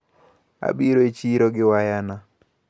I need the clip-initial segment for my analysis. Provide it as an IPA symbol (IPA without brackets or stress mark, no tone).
a̰